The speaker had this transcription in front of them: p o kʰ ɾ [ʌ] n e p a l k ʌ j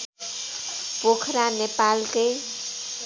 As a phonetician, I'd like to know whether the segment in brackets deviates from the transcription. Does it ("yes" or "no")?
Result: yes